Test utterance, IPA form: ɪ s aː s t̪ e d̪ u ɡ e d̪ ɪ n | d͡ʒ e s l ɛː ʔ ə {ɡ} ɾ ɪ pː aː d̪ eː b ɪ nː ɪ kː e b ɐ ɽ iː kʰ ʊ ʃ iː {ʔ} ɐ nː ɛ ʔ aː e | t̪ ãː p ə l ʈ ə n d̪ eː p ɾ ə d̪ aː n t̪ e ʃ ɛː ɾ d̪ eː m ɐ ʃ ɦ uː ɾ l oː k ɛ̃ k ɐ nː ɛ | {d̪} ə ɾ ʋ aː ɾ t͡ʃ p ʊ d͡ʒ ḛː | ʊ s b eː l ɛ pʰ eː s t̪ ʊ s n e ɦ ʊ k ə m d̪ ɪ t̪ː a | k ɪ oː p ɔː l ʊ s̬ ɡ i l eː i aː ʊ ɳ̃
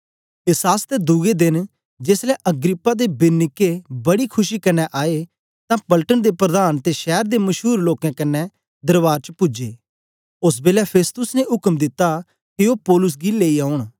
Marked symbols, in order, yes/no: yes, no, yes

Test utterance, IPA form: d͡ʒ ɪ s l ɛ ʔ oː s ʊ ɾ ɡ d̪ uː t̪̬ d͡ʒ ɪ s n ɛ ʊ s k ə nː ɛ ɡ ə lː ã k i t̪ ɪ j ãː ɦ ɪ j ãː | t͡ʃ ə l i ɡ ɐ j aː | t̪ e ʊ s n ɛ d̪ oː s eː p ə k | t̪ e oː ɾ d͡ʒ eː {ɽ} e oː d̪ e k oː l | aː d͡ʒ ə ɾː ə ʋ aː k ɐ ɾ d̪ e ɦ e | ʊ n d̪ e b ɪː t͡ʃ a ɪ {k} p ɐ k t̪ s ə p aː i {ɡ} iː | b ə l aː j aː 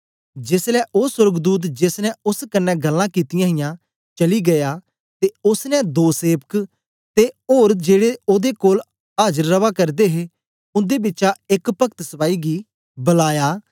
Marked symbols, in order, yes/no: yes, yes, yes

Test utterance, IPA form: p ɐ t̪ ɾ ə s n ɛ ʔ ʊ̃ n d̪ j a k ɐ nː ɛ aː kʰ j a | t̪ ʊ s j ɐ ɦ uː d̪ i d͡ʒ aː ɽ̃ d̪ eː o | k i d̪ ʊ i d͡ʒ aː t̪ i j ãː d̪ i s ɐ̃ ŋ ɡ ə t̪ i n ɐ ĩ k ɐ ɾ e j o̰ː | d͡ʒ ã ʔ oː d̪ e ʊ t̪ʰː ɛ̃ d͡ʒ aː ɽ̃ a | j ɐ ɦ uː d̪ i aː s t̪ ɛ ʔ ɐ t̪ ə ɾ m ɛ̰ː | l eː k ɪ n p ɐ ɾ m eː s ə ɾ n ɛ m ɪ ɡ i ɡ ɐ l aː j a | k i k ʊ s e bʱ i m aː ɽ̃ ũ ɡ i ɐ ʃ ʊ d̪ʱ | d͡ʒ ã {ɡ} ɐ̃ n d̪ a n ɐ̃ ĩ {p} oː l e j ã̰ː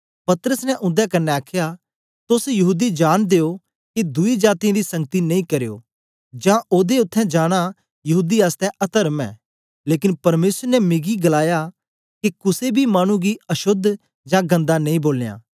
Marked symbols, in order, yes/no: yes, no

